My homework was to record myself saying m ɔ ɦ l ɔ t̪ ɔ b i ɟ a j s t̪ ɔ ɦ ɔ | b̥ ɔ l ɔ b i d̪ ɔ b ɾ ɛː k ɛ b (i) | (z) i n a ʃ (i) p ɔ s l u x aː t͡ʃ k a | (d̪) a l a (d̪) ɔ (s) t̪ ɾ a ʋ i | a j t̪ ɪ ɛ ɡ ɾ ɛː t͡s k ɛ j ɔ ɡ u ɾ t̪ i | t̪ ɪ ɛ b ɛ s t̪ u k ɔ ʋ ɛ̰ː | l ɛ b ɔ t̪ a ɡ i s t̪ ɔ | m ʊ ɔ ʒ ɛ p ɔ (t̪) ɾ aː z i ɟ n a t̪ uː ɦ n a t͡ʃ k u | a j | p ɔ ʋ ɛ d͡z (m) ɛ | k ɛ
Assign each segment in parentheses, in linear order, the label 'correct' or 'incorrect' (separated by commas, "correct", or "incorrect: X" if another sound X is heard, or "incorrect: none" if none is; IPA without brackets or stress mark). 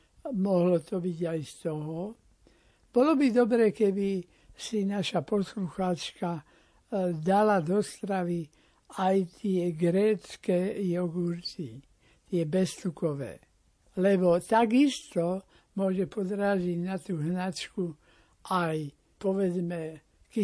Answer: correct, incorrect: s, incorrect: a, correct, correct, correct, incorrect: d̪, correct